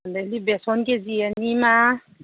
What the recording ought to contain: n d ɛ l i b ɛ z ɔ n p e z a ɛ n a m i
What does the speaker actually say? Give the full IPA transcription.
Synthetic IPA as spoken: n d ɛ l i b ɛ s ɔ n k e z i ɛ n i m a